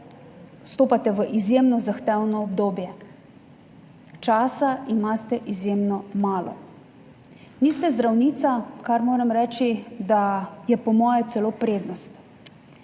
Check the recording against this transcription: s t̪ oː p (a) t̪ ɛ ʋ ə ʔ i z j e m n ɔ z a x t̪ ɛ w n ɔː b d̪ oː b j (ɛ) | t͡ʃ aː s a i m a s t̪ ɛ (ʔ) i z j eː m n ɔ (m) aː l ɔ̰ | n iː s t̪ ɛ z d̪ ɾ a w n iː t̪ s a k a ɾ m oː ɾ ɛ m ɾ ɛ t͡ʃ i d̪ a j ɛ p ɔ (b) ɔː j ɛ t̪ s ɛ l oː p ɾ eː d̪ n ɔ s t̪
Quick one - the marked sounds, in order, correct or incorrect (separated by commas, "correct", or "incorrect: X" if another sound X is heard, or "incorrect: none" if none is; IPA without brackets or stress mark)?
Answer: correct, correct, correct, correct, incorrect: m